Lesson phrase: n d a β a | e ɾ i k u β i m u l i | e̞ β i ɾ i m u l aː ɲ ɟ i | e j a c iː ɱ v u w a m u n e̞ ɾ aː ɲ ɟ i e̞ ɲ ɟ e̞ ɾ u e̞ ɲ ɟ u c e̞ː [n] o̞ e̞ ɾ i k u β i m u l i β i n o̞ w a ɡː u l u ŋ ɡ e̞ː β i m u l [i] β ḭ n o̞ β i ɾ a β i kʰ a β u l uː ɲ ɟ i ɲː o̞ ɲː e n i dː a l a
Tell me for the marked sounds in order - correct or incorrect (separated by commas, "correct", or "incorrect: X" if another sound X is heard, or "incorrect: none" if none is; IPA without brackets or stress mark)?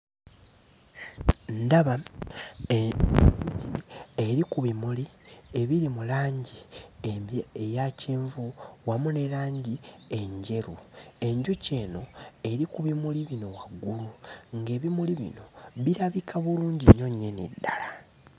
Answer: correct, correct